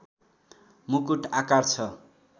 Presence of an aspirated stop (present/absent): present